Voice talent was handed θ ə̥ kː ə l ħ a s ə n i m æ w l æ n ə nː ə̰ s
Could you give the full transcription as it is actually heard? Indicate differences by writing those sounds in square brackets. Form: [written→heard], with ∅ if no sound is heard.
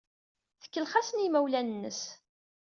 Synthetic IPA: θ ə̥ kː ə l [ħ→χ] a s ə n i m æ w l æ n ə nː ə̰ s